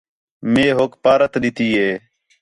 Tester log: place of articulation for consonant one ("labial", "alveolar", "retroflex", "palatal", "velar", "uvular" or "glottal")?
labial